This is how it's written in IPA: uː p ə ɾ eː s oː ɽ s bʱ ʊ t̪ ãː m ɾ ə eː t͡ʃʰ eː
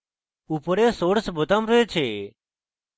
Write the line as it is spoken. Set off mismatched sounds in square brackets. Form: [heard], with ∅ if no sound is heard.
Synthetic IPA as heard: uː p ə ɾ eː s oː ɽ s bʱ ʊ t̪ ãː m ɾ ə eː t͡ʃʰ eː